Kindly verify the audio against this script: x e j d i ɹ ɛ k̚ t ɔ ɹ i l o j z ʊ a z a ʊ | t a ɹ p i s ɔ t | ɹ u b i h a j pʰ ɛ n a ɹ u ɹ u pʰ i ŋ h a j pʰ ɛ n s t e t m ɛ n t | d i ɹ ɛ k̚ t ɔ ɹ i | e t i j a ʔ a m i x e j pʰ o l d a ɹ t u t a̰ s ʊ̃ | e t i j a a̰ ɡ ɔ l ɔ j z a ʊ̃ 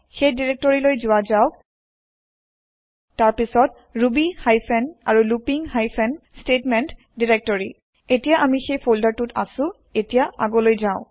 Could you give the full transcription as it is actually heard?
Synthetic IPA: x e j d i ɹ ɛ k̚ t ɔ ɹ i l o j z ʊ a z a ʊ | t a ɹ p i s ɔ t | ɹ u b i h a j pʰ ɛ n a ɹ u l u p i ŋ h a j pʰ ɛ n s t e t m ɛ n t | d i ɹ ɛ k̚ t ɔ ɹ i | e t i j a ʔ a m i x e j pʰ o l d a ɹ t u t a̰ s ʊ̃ | e t i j a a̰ ɡ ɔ l o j z a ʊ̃

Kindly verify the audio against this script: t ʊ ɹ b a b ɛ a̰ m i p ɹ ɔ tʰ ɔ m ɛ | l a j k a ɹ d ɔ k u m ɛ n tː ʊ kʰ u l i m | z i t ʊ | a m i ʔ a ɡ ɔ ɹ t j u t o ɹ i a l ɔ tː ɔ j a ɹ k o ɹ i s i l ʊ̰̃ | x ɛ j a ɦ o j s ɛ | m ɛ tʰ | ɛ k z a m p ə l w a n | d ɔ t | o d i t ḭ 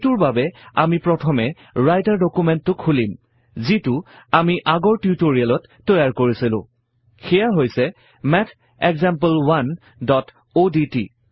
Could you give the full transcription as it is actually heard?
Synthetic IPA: t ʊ ɹ b a b ɛ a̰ m i p ɹ ɔ tʰ ɔ m ɛ | ɹ a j t a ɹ d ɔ k u m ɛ n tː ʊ kʰ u l i m | z i t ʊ | a m i ʔ a ɡ ɔ ɹ t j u t o ɹ i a l ɔ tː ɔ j a ɹ k o ɹ i s i l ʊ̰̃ | x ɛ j a ɦ o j s ɛ | m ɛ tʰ | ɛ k z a m p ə l w a n | d ɔ t | o d i t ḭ

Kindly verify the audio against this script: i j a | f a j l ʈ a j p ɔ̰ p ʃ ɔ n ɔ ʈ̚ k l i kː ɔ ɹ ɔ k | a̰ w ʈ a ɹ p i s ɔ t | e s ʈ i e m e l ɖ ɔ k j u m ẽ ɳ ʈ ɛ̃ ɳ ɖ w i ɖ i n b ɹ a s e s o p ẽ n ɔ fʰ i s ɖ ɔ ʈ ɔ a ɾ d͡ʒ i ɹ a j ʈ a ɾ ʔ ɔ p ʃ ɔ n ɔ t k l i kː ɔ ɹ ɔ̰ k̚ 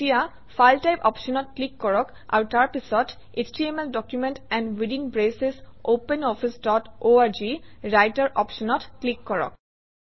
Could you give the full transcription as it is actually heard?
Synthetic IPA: i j a | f a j l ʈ a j p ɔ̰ p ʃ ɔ n ɔ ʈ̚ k l i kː ɔ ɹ ɔ k | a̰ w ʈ a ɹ p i s ɔ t | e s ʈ i e m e l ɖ ɔ k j u m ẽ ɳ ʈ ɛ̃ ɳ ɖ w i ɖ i n b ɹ e s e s o p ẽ n ɔ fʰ i s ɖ ɔ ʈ o a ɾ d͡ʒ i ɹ a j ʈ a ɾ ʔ ɔ p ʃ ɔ n ɔ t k l i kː ɔ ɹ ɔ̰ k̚

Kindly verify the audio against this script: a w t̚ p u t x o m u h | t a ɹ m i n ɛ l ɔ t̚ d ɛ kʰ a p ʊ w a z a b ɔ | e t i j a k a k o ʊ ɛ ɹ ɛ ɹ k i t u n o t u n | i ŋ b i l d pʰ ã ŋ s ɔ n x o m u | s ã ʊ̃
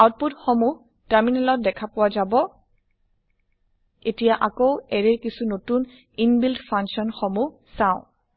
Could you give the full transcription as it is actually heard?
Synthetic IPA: a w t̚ p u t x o m u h | t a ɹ m i n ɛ l ɔ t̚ d ɛ kʰ a p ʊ w a z a b ɔ | e t i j a ʔ a k o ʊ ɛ ɹ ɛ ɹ k i s u n o t u n | i n b i l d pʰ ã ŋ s ɔ n x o m u | s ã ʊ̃

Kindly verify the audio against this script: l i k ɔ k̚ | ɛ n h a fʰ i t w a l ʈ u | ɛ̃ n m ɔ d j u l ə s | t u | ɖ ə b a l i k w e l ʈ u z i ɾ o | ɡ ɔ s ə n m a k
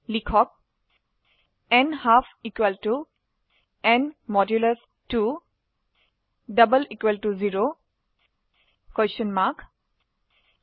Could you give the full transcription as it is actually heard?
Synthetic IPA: l i kʰ ɔ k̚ | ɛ n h a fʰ i k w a l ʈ u | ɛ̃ n m ɔ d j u l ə s | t u | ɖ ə b ə l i k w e l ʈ u z i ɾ o | k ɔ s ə n m a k

